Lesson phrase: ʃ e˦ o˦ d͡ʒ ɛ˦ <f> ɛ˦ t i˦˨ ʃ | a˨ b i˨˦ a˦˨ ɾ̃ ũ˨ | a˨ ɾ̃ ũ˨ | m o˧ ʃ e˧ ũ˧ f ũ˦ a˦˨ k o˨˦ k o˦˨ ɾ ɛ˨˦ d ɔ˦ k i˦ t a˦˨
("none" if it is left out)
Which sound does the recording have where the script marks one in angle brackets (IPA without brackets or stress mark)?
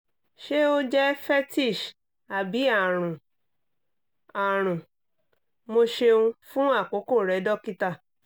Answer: f